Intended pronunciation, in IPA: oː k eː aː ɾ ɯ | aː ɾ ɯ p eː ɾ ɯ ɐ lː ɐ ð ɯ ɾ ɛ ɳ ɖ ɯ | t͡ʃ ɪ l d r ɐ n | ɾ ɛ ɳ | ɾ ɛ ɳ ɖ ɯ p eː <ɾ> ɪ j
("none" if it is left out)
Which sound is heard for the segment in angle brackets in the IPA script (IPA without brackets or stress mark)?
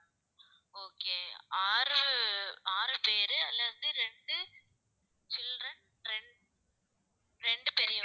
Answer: ɾ